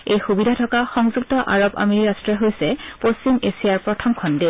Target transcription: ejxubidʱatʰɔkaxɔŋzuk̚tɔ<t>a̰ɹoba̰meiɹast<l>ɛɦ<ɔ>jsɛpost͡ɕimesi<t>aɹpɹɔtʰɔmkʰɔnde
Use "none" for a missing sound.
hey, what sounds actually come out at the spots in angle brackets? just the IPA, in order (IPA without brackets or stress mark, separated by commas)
ʔ, ɹ, o, none